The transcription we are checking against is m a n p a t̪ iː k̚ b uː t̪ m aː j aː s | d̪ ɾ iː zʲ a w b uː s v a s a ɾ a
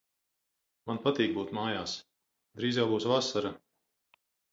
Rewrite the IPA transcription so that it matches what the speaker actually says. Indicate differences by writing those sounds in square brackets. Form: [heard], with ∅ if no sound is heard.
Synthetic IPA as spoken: m a n p a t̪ iː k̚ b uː t̪ m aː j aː s | d̪ ɾ iː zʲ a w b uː s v a s a ɾ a